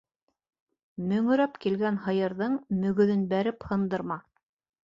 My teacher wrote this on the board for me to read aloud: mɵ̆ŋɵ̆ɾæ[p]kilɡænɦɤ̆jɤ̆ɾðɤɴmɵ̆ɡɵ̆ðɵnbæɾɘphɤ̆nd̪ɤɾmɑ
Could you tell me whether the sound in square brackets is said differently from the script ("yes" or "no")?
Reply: no